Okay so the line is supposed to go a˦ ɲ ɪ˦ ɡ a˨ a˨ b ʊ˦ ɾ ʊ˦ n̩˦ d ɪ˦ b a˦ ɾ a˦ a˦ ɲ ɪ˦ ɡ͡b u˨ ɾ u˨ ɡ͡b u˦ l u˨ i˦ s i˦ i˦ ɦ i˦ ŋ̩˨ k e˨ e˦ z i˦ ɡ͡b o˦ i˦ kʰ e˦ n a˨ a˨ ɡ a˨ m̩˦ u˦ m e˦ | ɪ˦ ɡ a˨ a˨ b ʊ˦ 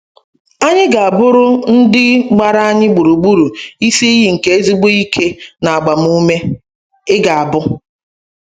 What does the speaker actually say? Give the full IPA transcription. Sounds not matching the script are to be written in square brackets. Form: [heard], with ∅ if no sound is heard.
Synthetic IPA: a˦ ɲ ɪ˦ ɡ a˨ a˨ b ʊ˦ ɾ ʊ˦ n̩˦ d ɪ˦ [ɡ͡b] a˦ ɾ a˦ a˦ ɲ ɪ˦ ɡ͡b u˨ ɾ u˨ ɡ͡b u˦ [ɾ] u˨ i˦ s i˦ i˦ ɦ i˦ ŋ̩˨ k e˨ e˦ z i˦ ɡ͡b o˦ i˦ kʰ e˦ n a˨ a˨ [ɡ͡b] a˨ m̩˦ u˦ m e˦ | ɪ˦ ɡ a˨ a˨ b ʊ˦

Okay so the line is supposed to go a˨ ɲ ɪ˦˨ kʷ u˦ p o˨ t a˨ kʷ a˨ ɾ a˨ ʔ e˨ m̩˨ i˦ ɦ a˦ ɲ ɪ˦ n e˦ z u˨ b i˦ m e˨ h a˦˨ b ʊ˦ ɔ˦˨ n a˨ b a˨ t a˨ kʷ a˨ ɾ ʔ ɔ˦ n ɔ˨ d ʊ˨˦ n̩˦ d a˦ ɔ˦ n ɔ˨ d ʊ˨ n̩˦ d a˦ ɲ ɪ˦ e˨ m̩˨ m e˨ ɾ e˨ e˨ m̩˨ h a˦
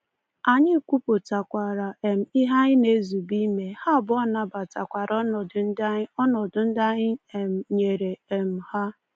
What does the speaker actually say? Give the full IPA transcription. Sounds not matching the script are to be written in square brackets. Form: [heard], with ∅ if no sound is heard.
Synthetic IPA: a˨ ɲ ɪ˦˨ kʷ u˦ p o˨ t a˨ kʷ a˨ ɾ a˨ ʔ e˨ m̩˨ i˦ ɦ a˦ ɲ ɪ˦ n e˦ z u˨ b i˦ m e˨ h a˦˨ b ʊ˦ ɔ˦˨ n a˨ b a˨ t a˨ kʷ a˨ ɾ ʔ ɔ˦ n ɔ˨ d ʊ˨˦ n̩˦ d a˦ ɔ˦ n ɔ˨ d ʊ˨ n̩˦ d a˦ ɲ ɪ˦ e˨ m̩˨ [ɲ] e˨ ɾ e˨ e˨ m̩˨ h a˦

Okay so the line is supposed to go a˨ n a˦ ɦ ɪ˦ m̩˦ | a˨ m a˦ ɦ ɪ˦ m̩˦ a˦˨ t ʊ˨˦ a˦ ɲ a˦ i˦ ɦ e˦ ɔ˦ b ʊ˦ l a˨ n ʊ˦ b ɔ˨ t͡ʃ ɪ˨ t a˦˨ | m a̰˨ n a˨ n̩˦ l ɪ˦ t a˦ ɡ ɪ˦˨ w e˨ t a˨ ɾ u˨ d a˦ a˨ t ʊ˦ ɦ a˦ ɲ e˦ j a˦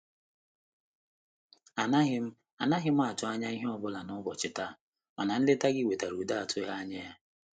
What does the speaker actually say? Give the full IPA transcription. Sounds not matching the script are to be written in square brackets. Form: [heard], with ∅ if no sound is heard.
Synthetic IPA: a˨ n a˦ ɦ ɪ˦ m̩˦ | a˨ [n] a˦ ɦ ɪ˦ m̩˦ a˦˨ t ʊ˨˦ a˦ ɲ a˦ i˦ ɦ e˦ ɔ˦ b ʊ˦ l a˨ n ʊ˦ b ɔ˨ t͡ʃ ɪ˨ t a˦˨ | m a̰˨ n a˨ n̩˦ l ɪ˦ t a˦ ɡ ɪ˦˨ w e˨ t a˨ ɾ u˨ d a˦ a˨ t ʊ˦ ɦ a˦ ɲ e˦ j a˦

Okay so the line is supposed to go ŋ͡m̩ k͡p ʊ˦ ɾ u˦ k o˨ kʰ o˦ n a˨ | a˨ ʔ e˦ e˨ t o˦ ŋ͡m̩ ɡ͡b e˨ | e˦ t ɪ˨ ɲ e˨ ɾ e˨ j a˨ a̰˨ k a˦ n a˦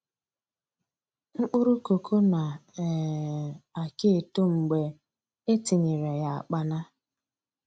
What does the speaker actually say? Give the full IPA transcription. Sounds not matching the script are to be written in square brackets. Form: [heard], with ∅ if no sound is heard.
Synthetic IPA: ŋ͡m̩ k͡p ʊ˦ ɾ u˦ k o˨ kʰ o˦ n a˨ | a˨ [k] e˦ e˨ t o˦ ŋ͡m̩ ɡ͡b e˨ | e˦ t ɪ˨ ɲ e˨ ɾ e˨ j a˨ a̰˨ [k͡p] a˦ n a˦

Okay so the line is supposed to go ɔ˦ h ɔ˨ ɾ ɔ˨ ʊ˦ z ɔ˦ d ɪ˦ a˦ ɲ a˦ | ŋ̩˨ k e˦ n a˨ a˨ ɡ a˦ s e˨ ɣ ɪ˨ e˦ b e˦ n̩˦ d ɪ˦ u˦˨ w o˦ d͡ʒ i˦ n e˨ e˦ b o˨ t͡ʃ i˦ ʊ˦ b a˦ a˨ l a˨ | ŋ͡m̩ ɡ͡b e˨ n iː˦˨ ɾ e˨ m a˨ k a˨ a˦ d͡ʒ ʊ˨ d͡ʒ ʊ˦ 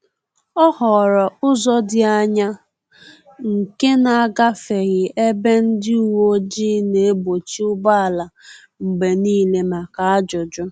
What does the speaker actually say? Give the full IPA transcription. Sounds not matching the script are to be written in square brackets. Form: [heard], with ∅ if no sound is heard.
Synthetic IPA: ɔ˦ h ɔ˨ ɾ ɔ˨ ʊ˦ z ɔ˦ d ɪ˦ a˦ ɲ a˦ | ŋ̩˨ k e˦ n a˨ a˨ ɡ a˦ [f] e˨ ɣ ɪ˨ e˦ b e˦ n̩˦ d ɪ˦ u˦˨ w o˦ d͡ʒ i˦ n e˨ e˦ b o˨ t͡ʃ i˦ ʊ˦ b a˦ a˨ l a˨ | ŋ͡m̩ ɡ͡b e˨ n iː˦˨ [l] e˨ m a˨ k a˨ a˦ d͡ʒ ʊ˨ d͡ʒ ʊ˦

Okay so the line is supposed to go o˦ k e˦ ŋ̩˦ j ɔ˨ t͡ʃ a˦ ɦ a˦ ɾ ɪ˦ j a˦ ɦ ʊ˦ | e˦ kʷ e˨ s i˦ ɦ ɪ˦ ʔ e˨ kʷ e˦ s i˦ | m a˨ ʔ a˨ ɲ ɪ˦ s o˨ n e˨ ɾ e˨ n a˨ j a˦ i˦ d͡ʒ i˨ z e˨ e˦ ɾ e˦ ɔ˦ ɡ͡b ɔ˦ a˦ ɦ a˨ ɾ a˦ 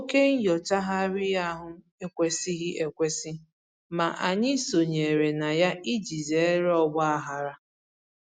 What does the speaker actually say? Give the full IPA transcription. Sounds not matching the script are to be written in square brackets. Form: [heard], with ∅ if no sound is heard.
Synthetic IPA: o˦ k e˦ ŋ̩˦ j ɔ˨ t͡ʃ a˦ ɦ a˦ ɾ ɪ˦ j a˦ ɦ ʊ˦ | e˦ kʷ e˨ s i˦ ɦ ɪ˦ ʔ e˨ kʷ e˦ s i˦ | m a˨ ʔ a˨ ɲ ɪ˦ s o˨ [ɲ] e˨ ɾ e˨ n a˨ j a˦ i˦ d͡ʒ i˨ z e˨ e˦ ɾ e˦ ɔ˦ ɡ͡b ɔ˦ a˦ ɦ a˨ ɾ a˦

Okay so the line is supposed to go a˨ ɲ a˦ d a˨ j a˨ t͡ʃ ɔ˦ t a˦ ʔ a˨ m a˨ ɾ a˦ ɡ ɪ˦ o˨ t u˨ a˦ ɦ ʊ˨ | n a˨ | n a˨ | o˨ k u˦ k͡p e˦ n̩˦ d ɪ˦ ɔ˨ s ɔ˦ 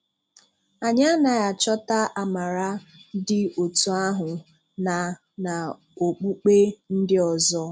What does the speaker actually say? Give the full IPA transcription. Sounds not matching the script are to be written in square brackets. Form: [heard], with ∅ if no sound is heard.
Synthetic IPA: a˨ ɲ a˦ [n] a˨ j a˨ t͡ʃ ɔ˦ t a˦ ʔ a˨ m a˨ ɾ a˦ [d] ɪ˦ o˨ t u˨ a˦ ɦ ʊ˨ | n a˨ | n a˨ | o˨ [k͡p] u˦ k͡p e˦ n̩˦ d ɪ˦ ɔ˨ [z] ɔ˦

